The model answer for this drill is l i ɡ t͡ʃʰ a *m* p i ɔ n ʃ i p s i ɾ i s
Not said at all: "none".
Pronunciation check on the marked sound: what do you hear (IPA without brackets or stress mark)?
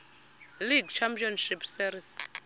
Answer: m